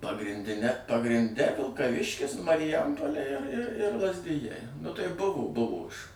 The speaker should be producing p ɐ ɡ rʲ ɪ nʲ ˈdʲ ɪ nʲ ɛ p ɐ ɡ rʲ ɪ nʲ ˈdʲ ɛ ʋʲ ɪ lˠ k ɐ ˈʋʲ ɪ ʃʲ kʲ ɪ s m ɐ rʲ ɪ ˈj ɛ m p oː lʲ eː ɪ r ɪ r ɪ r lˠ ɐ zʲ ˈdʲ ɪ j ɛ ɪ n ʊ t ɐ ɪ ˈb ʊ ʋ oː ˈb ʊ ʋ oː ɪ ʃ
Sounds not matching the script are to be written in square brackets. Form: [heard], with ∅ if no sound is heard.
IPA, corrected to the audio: p ɐ ɡ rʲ ɪ nʲ ˈdʲ ɪ nʲ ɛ p ɐ ɡ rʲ ɪ nʲ ˈdʲ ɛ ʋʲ ɪ lˠ k ɐ ˈʋʲ ɪ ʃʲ kʲ ɪ s m ɐ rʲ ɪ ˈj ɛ m p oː lʲ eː ɪ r ɪ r ɪ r lˠ ɐ zʲ ˈdʲ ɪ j ɛ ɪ n ʊ t ɐ ɪ ˈb ʊ ʋ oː ˈb ʊ ʋ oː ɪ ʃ

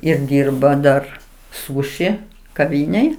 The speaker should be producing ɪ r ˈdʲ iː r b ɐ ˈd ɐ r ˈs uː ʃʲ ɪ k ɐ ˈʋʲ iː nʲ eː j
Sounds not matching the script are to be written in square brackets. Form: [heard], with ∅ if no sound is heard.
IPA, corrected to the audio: ɪ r ˈdʲ iː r b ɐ ˈd ɐ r ˈs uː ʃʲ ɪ k ɐ ˈʋʲ iː nʲ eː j

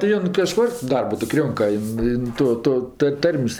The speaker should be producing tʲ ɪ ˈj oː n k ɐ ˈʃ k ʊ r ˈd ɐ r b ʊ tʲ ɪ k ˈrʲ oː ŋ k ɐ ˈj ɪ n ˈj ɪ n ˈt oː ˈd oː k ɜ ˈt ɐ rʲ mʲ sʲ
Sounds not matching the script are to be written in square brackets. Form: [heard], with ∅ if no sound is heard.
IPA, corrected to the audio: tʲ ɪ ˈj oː n k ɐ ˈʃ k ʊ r ˈd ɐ r b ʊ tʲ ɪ k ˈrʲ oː ŋ k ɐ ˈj ɪ n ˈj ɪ n ˈt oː [ˈt] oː [t] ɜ ˈt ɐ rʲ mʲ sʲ

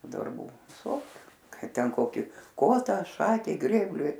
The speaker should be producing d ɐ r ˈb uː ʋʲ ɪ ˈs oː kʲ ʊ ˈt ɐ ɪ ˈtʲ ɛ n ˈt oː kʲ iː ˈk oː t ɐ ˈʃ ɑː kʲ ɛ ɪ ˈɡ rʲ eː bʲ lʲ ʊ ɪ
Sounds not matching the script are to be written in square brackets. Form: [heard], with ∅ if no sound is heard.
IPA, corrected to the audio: d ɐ r ˈb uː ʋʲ ɪ ˈs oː kʲ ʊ [ˈk] ɐ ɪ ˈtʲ ɛ n [ˈk] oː kʲ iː ˈk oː t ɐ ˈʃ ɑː kʲ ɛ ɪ ˈɡ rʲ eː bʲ lʲ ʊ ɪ

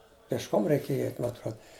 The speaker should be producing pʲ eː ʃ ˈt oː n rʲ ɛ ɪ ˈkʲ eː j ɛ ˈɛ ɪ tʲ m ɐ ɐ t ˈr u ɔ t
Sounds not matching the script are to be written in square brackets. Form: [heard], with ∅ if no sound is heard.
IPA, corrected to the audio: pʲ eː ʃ [ˈk] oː [m] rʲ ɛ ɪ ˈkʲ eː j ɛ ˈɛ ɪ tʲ m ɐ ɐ t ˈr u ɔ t

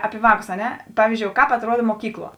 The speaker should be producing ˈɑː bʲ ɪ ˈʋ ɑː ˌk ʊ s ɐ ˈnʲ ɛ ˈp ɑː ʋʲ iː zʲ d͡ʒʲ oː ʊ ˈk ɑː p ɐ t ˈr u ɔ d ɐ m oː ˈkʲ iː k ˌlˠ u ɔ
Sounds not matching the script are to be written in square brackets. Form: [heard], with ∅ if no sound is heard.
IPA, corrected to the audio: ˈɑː [pʲ] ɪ ˈʋ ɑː ˌk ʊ s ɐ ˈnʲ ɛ ˈp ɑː ʋʲ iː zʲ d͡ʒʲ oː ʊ ˈk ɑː p ɐ t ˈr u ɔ d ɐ m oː ˈkʲ iː k ˌlˠ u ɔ

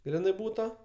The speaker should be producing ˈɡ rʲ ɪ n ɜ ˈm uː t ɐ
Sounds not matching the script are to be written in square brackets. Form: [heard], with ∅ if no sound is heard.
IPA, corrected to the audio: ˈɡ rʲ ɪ n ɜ [ˈb] uː t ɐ

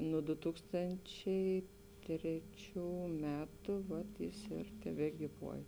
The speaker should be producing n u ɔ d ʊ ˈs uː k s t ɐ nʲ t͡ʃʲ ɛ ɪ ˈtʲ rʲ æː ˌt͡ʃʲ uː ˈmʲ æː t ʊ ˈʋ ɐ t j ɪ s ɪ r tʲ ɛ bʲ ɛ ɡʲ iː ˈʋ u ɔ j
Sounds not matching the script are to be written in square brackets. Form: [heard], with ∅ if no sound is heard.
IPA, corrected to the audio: n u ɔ d ʊ [ˈt] uː k s t ɐ nʲ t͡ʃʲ ɛ ɪ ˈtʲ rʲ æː ˌt͡ʃʲ uː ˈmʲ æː t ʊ ˈʋ ɐ t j ɪ s ɪ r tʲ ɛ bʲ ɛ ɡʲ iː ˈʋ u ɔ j

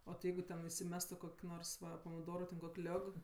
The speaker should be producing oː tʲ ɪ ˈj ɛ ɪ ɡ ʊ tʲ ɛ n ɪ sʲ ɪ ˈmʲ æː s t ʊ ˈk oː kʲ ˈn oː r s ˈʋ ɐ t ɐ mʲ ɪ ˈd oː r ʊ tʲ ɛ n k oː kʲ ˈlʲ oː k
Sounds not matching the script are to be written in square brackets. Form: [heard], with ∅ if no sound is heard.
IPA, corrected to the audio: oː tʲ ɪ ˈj ɛ ɪ ɡ ʊ tʲ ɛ n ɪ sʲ ɪ ˈmʲ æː s t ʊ ˈk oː kʲ ˈn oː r s ˈʋ ɐ [p] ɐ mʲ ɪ ˈd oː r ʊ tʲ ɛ n k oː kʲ ˈlʲ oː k

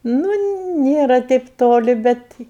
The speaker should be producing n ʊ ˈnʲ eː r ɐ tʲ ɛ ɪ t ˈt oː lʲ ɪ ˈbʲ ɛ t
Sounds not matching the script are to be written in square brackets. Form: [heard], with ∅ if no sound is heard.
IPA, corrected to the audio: n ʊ ˈnʲ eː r ɐ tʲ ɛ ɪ [p] ˈt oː lʲ ɪ ˈbʲ ɛ t

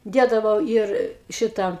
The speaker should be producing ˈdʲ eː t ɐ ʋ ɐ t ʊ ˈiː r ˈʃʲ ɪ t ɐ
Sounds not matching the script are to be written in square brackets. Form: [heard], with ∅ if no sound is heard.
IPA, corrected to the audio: ˈdʲ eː [d] ɐ ʋ ɐ [∅] ʊ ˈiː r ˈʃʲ ɪ t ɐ

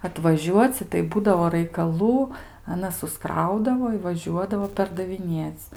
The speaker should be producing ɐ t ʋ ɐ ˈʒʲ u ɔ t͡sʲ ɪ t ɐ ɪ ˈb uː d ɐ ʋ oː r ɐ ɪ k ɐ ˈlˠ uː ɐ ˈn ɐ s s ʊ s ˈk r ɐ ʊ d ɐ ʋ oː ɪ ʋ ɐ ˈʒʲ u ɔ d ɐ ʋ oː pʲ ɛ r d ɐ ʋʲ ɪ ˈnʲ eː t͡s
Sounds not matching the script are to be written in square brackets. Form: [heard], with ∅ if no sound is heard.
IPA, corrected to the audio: ɐ t ʋ ɐ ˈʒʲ u ɔ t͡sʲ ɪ t ɐ ɪ ˈb uː d ɐ ʋ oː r ɐ ɪ k ɐ ˈlˠ uː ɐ ˈn ɐ s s ʊ s ˈk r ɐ ʊ d ɐ ʋ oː ɪ ʋ ɐ ˈʒʲ u ɔ d ɐ ʋ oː pʲ ɛ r d ɐ ʋʲ ɪ ˈnʲ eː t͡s

